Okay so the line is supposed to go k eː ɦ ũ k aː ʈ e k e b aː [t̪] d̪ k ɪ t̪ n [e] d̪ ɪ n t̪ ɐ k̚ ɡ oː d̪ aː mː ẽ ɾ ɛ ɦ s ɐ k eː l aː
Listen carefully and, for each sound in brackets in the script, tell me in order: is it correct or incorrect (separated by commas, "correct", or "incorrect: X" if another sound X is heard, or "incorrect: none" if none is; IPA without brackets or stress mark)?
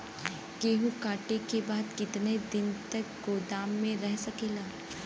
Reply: incorrect: none, correct